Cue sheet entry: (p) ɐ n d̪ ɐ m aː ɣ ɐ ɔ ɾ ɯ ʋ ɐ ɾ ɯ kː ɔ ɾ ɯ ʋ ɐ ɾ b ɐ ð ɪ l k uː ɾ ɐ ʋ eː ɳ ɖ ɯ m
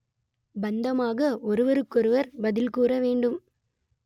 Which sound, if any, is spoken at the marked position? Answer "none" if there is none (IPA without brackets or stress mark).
b